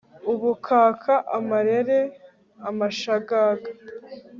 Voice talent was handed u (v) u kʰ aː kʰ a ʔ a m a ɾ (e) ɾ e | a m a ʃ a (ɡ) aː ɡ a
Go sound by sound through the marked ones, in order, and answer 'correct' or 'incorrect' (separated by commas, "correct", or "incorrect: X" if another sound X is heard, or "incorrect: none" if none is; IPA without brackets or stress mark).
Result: incorrect: β, correct, correct